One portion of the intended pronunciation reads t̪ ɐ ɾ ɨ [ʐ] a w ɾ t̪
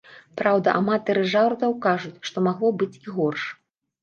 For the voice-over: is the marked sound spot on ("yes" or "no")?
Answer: yes